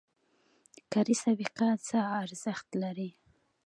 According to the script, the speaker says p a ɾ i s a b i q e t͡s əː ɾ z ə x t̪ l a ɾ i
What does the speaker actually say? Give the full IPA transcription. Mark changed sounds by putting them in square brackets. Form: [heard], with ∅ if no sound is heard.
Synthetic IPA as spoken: [k] a ɾ i s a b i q [a] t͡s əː ɾ z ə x t̪ l a ɾ i